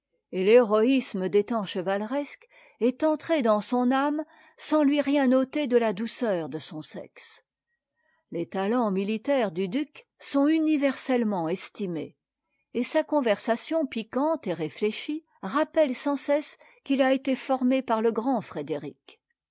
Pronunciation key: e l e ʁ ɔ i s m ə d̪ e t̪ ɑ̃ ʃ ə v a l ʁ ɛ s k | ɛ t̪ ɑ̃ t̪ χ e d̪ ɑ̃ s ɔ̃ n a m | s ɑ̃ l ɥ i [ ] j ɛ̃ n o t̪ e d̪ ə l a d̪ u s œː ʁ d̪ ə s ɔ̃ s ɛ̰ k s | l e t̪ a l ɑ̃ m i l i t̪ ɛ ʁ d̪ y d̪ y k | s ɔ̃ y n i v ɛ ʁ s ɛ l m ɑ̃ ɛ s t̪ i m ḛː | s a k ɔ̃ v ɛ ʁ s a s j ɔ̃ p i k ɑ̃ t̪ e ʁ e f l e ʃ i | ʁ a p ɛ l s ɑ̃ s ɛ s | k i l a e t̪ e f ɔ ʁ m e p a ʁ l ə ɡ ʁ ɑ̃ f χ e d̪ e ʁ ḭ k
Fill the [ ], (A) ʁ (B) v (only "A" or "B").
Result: A